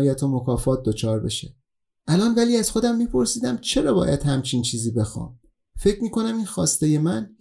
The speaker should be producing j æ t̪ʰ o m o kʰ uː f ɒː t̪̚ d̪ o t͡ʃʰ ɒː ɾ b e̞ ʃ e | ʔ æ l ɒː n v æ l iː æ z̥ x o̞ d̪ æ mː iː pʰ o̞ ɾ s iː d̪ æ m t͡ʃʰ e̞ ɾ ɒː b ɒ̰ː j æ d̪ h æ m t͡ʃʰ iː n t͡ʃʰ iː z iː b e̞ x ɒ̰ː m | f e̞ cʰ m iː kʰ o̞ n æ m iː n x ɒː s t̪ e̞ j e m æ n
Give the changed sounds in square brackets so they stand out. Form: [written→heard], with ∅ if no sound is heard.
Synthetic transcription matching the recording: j æ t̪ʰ o m o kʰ [uː→ɒː] f ɒː t̪̚ d̪ o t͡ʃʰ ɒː ɾ b e̞ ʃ e | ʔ æ l ɒː n v æ l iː æ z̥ x o̞ d̪ æ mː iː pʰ o̞ ɾ s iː d̪ æ m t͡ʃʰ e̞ ɾ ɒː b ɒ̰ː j æ d̪ h æ m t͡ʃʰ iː n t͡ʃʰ iː z iː b e̞ x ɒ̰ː m | f e̞ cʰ m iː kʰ o̞ n æ m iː n x ɒː s t̪ e̞ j e m æ n